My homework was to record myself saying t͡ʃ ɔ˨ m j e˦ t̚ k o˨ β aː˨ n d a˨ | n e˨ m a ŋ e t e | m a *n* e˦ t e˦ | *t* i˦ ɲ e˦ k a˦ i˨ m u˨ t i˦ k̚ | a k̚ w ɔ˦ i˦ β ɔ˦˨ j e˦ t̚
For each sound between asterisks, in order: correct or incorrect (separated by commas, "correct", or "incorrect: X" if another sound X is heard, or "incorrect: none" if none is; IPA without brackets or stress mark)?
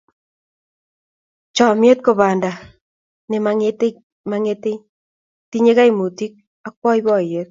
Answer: incorrect: ŋ, correct